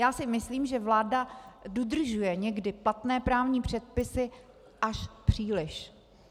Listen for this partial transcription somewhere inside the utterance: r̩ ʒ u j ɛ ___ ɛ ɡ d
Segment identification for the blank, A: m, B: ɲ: B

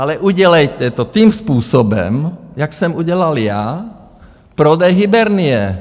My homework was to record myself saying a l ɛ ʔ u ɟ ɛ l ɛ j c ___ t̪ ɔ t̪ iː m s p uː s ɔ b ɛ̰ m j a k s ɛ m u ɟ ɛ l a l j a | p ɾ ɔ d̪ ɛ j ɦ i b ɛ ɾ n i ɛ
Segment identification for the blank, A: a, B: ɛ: B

